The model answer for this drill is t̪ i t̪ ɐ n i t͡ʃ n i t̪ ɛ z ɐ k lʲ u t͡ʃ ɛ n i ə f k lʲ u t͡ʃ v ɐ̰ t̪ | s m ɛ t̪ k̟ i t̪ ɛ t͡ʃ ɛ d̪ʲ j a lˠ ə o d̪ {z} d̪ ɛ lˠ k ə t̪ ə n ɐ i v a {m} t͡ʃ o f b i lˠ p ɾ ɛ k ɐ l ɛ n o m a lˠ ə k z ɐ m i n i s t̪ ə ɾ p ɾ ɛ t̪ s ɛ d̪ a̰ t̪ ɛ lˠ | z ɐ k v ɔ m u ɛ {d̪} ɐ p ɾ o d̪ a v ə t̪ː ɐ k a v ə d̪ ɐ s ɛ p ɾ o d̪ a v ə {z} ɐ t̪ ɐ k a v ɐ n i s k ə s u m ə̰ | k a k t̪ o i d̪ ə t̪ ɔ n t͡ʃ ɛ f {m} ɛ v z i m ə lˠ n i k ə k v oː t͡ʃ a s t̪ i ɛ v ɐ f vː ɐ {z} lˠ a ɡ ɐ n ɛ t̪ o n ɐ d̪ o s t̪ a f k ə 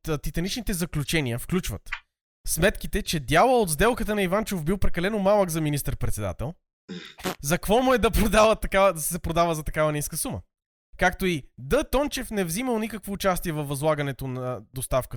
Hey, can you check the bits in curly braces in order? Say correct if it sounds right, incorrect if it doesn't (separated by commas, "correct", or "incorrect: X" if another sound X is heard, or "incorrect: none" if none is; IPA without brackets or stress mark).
correct, incorrect: n, correct, correct, incorrect: n, correct